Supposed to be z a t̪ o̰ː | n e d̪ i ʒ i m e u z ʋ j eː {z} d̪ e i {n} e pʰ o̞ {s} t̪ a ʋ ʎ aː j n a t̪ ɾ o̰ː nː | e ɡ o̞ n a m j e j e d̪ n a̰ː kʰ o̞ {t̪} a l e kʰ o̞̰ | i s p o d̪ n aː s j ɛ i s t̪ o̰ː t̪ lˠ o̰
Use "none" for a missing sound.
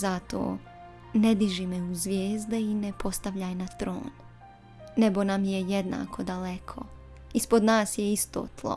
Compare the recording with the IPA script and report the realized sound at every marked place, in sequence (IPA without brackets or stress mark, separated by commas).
z, n, s, d̪